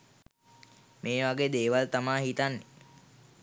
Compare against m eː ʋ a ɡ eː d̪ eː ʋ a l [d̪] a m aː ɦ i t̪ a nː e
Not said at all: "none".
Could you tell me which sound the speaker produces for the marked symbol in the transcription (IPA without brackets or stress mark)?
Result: t̪